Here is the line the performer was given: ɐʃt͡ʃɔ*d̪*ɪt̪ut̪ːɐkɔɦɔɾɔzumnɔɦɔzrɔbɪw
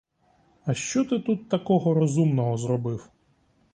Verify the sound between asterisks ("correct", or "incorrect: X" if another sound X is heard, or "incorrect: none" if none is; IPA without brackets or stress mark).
incorrect: t̪